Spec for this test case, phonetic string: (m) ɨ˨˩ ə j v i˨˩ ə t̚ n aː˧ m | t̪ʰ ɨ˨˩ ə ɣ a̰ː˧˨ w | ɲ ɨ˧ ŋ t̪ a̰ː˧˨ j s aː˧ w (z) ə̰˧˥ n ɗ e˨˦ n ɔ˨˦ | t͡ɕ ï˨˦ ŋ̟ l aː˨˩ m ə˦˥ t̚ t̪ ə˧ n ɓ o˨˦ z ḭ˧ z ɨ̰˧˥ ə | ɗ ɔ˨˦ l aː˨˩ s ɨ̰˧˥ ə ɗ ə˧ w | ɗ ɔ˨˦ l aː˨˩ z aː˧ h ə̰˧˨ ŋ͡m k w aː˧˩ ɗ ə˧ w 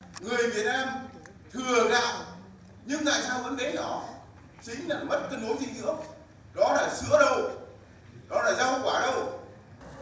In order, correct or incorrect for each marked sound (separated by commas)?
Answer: incorrect, incorrect